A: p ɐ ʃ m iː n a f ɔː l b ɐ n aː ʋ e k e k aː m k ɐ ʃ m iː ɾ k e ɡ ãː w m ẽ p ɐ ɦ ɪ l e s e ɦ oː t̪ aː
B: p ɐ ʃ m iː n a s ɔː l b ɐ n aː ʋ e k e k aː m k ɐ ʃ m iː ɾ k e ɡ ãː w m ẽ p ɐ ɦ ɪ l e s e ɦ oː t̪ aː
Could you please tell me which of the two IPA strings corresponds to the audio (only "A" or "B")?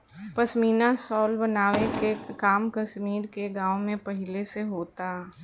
B